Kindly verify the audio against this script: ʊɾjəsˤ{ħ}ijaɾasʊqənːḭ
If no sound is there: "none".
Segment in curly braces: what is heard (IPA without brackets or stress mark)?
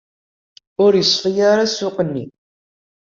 f